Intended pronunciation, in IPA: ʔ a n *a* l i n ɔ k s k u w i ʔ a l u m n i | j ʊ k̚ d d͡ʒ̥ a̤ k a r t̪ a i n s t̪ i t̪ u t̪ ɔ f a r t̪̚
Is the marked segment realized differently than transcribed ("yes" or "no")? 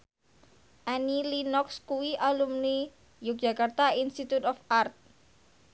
yes